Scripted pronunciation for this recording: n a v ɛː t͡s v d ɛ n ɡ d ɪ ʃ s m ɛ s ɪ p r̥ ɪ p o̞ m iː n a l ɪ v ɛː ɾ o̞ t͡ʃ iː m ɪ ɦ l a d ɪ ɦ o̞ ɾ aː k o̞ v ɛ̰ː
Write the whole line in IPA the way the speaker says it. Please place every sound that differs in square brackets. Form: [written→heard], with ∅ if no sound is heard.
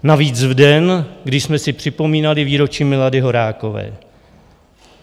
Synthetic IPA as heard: n a v [ɛː→iː] t͡s v d ɛ n ɡ d ɪ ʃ s m ɛ s ɪ p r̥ ɪ p o̞ m iː n a l ɪ v [ɛː→iː] ɾ o̞ t͡ʃ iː m ɪ [ɦ→∅] l a d ɪ ɦ o̞ ɾ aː k o̞ v ɛ̰ː